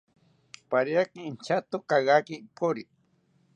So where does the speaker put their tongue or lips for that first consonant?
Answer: lips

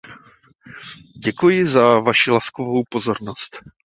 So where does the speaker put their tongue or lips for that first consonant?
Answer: palate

